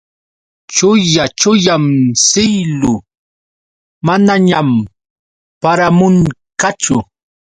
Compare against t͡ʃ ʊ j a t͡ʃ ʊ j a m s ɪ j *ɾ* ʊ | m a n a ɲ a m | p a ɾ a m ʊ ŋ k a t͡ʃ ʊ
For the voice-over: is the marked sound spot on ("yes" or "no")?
no